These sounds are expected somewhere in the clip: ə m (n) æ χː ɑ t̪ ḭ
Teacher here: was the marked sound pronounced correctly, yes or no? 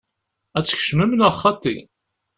yes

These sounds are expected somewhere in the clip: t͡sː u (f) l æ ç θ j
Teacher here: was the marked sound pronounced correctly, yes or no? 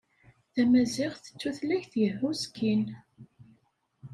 no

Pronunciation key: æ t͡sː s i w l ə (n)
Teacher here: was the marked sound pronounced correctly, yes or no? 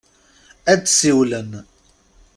yes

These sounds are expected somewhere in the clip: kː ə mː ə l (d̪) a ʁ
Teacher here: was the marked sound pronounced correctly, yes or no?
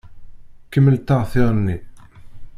no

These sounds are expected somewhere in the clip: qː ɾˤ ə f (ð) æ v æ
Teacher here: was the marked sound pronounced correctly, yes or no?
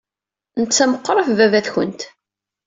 no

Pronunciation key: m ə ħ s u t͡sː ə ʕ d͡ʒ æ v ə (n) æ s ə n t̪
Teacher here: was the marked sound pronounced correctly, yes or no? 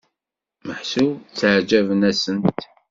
yes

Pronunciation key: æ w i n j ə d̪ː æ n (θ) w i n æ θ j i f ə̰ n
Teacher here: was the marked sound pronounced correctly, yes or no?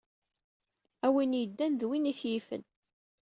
no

